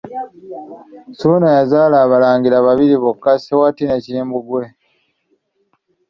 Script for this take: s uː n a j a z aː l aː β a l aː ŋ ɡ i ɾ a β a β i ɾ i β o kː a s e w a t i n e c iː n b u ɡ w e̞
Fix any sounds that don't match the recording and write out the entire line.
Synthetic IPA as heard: s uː n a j a z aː l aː β a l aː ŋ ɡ i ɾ a β a β i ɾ i β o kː a s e w a t i n e c iː m b u ɡ w e̞